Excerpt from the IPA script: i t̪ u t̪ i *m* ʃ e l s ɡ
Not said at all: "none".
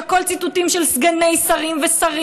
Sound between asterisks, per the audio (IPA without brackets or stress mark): m